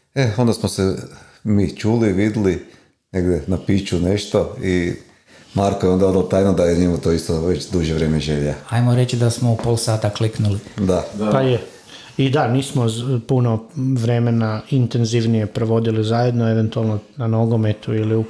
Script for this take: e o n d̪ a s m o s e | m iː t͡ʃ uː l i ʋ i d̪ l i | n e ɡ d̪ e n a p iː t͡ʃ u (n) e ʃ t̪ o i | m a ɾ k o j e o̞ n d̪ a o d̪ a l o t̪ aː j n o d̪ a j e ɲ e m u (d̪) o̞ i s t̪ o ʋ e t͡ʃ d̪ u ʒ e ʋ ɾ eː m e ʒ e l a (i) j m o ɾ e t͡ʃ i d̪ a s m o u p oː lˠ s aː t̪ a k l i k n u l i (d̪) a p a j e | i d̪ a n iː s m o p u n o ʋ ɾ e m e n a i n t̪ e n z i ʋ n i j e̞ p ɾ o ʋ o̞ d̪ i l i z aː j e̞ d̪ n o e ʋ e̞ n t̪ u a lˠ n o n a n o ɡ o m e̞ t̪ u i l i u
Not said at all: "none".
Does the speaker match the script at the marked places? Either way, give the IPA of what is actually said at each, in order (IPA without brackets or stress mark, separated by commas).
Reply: n, t̪, a, d̪